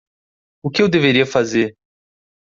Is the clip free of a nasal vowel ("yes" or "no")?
yes